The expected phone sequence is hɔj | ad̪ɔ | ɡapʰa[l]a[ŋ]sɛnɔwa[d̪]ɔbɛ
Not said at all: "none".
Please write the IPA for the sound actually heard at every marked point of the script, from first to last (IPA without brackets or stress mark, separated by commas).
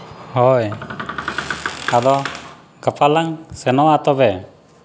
l, ŋ, t̪